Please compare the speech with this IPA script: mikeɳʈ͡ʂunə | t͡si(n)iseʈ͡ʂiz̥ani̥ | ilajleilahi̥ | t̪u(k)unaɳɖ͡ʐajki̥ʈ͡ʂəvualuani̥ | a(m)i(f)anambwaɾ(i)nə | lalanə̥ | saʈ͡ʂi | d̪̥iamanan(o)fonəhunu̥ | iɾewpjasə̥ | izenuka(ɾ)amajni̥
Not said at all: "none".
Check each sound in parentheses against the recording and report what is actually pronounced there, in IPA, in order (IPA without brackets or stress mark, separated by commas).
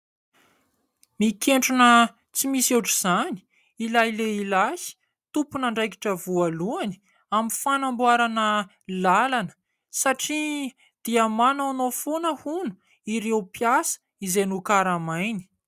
m, p, m, f, a, o, ɾ